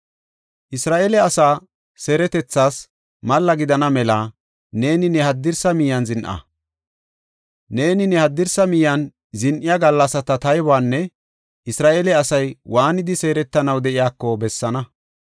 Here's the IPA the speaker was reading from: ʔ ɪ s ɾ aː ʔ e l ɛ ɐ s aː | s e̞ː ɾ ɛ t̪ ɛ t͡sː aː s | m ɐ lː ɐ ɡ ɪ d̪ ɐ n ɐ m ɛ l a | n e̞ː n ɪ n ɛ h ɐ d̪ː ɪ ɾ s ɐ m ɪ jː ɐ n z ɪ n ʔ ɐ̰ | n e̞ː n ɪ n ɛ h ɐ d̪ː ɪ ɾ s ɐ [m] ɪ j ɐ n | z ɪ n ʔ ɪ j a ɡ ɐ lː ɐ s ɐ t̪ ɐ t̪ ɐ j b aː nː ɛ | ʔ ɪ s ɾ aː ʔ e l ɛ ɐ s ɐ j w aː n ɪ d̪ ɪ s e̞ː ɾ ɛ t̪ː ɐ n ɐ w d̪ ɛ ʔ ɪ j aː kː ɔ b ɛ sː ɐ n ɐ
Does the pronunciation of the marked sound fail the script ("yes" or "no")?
no